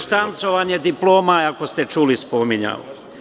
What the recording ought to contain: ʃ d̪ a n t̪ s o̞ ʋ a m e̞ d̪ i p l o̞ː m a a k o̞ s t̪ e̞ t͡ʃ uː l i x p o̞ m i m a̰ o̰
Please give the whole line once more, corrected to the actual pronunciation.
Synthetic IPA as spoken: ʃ t̪ a n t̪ s o̞ ʋ a ɲ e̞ d̪ i p l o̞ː m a a k o̞ s t̪ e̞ t͡ʃ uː l i s p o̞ m i ɲ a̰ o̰